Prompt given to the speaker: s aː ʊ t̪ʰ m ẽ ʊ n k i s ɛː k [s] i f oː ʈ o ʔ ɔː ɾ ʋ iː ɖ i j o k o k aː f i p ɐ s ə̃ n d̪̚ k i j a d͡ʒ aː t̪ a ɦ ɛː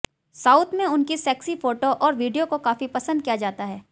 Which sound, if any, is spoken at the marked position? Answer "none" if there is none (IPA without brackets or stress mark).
s